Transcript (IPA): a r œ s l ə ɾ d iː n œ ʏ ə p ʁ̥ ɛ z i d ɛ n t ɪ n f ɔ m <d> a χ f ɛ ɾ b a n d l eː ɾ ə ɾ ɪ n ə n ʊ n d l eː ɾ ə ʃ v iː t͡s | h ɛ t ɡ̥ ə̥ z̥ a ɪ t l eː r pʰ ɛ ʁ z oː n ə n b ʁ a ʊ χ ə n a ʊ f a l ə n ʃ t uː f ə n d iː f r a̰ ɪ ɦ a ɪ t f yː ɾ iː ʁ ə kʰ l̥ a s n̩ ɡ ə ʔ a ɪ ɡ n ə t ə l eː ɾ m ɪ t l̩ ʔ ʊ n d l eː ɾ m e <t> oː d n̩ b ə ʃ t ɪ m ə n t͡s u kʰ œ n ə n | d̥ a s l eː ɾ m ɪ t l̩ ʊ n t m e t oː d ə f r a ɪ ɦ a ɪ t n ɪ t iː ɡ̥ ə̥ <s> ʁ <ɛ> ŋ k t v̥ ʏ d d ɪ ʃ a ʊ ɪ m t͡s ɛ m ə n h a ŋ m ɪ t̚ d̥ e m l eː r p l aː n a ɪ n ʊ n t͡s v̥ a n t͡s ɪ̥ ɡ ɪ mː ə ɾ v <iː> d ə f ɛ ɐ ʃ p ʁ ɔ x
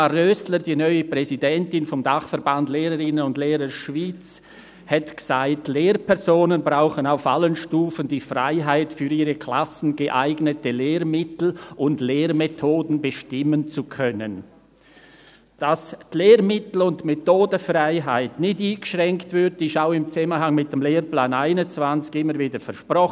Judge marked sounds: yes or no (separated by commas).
yes, no, no, yes, yes